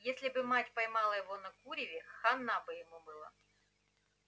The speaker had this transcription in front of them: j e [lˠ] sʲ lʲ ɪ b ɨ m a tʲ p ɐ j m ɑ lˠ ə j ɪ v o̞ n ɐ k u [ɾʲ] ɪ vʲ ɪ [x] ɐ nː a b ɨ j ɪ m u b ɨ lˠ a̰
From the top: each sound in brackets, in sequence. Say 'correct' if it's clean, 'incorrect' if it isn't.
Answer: incorrect: none, correct, correct

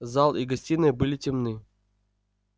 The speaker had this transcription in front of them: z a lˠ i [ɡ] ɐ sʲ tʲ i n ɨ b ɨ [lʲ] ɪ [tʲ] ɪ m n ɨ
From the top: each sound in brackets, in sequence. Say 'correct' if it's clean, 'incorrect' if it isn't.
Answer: correct, correct, correct

